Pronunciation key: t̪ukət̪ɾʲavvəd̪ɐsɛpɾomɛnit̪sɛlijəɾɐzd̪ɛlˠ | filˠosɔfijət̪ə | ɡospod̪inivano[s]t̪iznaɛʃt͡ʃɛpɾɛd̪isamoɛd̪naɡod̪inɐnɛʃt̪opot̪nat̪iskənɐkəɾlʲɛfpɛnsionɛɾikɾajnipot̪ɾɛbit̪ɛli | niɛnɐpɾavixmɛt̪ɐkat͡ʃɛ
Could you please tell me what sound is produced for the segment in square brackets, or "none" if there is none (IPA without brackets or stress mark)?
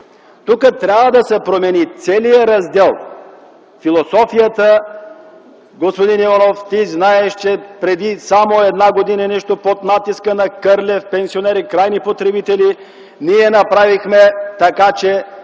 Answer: f